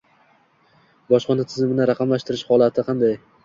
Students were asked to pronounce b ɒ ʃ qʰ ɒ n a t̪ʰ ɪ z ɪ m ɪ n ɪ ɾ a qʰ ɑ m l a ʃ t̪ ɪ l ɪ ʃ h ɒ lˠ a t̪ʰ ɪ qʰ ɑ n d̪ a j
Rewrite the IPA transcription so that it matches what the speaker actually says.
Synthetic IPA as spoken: b ɒ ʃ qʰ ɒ n a t̪ʰ ɪ z ɪ m ɪ n ɪ ɾ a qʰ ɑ m l a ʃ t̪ ɪ ɾ ɪ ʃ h ɒ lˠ a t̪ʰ ɪ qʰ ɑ n d̪ a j